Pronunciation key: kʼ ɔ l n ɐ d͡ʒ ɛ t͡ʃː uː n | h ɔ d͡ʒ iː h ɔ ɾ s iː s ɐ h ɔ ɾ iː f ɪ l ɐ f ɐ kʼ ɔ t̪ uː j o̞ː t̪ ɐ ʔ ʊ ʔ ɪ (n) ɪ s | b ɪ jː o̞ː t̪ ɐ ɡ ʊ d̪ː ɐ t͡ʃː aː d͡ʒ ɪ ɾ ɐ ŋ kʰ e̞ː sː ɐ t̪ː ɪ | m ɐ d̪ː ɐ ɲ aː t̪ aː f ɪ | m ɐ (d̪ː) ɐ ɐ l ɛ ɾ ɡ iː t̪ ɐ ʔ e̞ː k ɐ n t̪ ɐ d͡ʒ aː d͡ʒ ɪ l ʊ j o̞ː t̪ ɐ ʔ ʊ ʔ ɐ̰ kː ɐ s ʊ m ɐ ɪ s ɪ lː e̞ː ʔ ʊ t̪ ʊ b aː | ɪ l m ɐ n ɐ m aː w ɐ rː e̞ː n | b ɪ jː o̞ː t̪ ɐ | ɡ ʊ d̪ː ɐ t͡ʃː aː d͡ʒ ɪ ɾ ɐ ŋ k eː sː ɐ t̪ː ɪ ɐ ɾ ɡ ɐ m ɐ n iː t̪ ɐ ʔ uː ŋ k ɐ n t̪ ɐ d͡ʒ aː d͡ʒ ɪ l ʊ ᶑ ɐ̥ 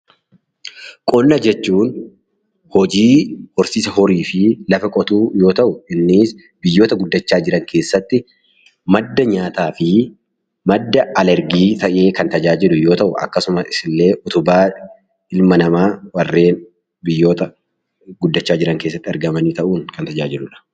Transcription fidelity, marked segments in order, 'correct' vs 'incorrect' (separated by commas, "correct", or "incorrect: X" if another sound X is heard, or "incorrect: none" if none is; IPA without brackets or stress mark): incorrect: nː, correct